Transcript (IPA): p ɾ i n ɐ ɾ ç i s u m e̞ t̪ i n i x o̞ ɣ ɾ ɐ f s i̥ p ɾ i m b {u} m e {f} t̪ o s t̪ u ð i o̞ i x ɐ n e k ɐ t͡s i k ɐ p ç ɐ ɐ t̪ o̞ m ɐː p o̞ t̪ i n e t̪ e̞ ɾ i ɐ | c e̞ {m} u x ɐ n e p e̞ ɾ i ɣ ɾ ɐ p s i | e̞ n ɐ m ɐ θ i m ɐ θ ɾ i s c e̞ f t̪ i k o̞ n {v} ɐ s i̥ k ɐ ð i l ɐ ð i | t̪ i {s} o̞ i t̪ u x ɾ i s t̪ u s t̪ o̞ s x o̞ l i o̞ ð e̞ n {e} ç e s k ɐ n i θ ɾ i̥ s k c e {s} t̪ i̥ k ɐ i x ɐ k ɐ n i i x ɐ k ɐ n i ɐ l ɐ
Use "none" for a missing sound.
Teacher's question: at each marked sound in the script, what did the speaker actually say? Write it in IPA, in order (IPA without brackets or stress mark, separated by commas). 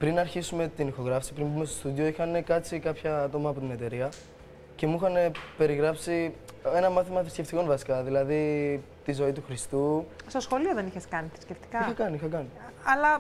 u, s, m, v, z, i, f